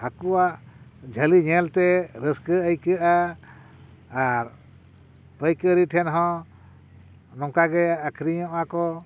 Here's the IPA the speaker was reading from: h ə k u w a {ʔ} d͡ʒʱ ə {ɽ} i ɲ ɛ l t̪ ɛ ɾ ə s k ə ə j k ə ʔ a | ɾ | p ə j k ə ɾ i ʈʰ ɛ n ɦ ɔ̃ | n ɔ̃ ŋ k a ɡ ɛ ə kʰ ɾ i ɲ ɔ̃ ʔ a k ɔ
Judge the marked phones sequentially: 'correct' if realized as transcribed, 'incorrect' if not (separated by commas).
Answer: correct, incorrect